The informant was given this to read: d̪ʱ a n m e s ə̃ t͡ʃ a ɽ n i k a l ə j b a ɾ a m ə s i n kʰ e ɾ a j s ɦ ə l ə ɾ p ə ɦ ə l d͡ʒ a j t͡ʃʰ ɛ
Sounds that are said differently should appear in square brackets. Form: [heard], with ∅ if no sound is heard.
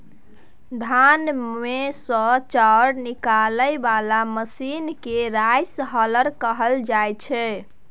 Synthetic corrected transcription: d̪ʱ a n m e s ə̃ t͡ʃ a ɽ n i k a l ə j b a [l] a m ə s i n [k] e ɾ a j s ɦ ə l ə ɾ [k] ə ɦ ə l d͡ʒ a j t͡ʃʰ ɛ